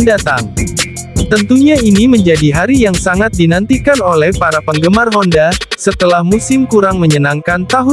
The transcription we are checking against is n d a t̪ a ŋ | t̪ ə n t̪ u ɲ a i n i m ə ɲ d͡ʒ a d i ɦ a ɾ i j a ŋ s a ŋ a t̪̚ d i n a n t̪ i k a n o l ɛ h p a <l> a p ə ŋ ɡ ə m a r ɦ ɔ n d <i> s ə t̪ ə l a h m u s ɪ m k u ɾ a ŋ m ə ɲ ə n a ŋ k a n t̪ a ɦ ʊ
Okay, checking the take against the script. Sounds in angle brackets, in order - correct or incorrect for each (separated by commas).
incorrect, incorrect